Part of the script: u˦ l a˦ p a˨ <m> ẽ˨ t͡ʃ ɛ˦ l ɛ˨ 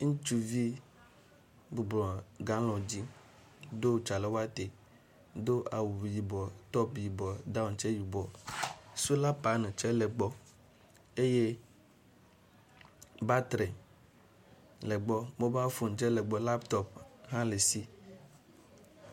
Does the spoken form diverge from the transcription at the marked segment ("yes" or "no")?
yes